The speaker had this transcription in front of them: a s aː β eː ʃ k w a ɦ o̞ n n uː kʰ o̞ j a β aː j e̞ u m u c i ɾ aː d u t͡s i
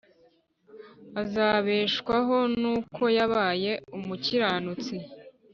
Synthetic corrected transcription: a z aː β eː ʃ k w a ɦ o̞ n n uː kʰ o̞ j a β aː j e̞ u m u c i ɾ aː n u t͡s i